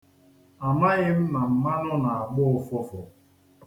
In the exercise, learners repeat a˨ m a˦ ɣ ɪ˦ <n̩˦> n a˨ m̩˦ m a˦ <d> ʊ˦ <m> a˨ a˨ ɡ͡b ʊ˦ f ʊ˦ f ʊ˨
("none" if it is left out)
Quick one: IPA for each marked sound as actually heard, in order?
m̩˦, n, n

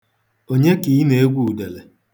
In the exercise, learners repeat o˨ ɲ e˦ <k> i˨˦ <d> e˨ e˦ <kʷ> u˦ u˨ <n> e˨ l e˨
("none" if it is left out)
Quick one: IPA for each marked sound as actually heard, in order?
k, n, ɡʷ, d

